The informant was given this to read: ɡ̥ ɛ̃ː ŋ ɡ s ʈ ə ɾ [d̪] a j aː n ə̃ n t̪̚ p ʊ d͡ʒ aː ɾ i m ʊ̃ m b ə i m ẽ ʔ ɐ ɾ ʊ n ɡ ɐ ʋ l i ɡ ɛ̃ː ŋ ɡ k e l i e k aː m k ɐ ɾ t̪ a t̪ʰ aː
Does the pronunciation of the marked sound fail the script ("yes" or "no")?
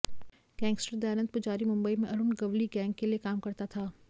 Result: no